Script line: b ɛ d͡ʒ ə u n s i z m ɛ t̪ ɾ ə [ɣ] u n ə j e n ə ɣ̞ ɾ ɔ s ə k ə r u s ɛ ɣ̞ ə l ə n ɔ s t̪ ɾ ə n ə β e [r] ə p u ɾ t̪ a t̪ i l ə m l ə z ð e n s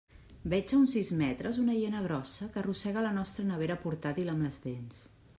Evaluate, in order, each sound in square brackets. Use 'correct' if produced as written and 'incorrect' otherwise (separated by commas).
incorrect, incorrect